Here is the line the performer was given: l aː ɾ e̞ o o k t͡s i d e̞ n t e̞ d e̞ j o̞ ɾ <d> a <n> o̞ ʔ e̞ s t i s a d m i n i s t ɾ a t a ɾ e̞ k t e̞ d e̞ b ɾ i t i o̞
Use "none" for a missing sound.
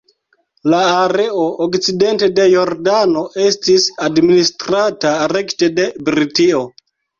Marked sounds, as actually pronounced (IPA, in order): d, n

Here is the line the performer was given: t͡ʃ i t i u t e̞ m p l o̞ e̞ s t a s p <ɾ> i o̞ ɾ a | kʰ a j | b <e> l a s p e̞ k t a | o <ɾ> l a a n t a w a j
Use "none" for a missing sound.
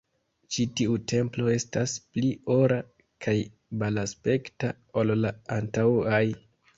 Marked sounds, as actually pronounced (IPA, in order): l, a, l

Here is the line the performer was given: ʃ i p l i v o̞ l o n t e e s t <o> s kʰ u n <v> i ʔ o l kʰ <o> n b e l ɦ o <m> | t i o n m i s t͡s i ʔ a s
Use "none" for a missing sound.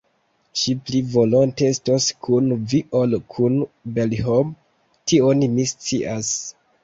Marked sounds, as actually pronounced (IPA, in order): o, v, u, m

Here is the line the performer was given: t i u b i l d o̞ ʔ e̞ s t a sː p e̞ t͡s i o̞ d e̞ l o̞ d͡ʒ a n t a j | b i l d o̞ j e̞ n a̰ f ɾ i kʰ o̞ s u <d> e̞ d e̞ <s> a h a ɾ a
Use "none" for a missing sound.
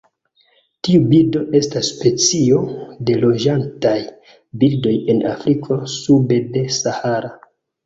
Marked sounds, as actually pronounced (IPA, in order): b, s

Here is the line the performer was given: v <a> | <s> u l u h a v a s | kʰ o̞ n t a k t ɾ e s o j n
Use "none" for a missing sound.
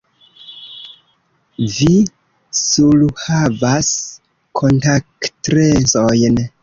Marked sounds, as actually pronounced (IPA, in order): i, s

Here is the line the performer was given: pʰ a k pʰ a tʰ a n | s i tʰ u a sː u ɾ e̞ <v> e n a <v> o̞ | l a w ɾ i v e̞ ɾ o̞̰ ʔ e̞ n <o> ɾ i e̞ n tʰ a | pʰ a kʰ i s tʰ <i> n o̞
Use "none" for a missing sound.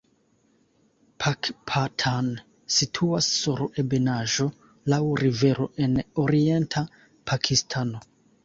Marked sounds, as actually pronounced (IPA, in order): b, ʒ, o, a

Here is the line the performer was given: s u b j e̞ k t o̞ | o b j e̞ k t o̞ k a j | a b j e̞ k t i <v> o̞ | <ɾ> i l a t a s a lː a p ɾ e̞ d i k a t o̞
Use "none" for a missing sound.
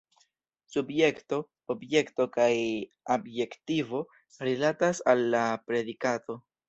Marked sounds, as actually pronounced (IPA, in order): v, ɾ

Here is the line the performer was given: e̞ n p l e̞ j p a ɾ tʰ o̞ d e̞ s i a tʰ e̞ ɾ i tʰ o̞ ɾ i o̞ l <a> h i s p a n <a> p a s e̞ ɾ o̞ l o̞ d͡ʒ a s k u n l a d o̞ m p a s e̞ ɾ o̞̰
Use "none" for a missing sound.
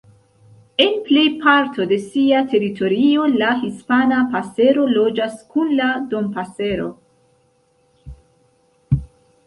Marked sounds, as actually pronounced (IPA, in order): a, a

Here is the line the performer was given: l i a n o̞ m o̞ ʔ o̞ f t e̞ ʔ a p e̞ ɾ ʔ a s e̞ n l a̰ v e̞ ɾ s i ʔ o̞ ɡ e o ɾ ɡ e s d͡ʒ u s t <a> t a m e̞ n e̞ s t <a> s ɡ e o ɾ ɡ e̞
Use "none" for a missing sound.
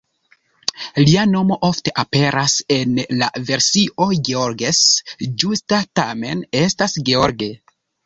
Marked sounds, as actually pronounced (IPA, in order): a, a

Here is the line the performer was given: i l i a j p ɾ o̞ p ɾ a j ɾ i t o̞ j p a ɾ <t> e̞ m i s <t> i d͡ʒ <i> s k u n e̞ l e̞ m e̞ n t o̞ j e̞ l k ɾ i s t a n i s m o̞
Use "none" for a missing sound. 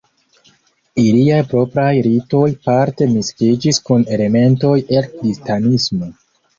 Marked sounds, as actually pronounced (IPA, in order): t, k, i

